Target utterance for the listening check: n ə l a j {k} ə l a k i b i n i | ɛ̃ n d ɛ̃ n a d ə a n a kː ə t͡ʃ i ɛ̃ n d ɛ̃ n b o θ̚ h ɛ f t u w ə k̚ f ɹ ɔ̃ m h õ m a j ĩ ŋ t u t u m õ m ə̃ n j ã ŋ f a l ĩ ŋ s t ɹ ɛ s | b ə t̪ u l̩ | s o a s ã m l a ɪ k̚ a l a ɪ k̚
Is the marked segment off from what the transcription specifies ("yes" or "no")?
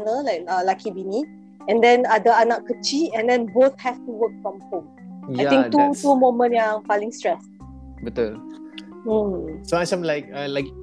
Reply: no